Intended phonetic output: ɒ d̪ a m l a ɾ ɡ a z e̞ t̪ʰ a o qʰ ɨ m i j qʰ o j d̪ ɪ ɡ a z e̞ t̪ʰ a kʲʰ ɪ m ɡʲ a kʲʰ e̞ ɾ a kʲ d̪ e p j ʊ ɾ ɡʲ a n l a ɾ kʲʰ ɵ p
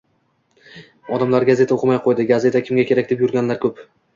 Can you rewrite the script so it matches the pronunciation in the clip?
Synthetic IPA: ɒ d̪ a m l a ɾ ɡ a z e̞ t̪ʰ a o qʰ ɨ m a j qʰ o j d̪ ɪ ɡ a z e̞ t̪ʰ a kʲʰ ɪ m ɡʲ a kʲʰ e̞ ɾ a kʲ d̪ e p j ʊ ɾ ɡʲ a n l a ɾ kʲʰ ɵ p